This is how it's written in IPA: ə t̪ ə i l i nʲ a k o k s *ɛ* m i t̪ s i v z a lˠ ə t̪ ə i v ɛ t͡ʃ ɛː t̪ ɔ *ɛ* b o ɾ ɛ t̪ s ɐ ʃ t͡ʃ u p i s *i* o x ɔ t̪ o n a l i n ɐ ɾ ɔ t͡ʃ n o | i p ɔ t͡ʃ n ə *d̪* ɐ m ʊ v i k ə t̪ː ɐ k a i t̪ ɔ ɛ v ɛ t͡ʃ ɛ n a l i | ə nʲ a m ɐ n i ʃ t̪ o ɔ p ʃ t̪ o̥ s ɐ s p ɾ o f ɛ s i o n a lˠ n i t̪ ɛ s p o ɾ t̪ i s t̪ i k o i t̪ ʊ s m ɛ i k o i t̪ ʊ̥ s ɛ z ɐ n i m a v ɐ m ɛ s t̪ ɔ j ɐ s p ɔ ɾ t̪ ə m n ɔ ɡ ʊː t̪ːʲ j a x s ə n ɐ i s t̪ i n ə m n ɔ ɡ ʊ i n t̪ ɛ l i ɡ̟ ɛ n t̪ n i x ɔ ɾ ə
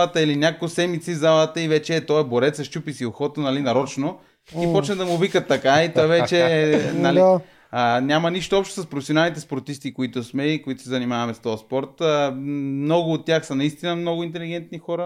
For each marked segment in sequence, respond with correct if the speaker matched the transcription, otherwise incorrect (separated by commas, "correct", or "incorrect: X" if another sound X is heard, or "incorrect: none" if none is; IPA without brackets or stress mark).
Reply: correct, correct, correct, correct